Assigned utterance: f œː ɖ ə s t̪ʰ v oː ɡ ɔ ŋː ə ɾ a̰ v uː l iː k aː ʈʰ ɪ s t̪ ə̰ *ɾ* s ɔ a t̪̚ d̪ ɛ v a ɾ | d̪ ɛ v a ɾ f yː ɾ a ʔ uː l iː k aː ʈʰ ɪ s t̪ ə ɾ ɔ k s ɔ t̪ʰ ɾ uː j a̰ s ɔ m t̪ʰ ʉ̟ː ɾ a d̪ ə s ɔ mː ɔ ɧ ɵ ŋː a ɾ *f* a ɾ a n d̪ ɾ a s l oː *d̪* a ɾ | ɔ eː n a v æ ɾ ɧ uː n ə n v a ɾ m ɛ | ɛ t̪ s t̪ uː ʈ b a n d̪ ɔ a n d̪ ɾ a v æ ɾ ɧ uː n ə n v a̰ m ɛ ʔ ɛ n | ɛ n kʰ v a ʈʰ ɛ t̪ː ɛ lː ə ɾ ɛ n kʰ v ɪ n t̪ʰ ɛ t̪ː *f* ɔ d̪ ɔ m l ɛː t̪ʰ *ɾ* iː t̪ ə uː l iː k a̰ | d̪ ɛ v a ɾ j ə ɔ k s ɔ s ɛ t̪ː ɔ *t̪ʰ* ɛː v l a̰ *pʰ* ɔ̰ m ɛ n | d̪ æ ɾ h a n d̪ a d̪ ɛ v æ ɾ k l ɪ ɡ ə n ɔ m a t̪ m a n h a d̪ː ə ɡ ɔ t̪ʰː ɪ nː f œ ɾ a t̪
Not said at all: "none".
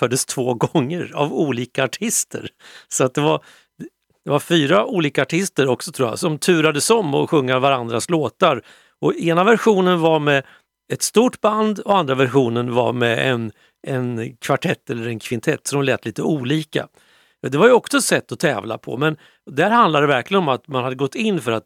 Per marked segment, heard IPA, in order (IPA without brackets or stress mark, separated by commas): ɾ, v, t̪, s, l, t̪ʰ, pʰ